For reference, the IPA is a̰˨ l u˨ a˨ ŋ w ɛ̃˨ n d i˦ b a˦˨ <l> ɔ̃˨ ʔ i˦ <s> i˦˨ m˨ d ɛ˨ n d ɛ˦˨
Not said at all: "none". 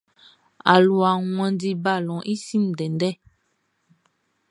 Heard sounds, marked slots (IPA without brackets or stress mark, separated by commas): l, s